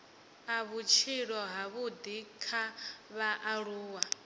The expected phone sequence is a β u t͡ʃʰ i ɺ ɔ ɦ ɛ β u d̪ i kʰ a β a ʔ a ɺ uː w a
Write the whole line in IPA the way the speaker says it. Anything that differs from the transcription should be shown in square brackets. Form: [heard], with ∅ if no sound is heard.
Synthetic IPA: a β u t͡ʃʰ i ɺ ɔ ɦ [a] β u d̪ i kʰ a β a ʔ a ɺ uː w a